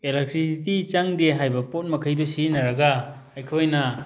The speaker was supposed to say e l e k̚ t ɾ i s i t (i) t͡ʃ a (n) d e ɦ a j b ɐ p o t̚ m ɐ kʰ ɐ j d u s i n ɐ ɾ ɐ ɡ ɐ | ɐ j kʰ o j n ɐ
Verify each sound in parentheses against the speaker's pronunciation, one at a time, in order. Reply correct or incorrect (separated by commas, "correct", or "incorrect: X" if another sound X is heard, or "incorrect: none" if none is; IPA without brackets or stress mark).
correct, incorrect: ŋ